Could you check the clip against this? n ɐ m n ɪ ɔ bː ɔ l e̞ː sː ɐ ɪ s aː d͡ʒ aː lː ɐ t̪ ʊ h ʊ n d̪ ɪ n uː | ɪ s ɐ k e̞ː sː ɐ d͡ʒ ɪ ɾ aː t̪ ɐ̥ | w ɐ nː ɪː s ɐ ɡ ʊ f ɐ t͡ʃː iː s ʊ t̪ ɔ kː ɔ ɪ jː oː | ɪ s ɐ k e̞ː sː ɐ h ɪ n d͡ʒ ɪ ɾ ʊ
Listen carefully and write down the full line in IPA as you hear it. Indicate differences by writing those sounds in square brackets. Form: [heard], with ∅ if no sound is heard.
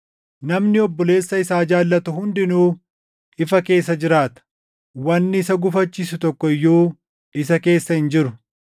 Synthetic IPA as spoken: n ɐ m n ɪ ɔ bː ɔ l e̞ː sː ɐ ɪ s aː d͡ʒ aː lː ɐ t̪ ʊ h ʊ n d̪ ɪ n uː | ɪ [f] ɐ k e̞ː sː ɐ d͡ʒ ɪ ɾ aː t̪ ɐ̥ | w ɐ nː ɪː s ɐ ɡ ʊ f ɐ t͡ʃː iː s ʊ t̪ ɔ kː ɔ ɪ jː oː | ɪ s ɐ k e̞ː sː ɐ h ɪ n d͡ʒ ɪ ɾ ʊ